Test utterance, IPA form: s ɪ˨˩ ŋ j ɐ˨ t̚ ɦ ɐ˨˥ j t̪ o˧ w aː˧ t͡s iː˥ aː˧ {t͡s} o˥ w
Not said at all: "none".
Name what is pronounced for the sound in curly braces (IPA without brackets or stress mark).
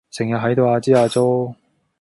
t͡s